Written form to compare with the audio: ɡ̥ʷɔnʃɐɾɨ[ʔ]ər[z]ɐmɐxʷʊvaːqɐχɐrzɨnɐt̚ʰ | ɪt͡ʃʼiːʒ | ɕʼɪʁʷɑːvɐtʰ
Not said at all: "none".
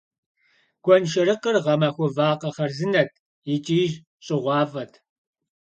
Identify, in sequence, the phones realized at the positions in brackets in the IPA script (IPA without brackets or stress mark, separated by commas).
q, ʁ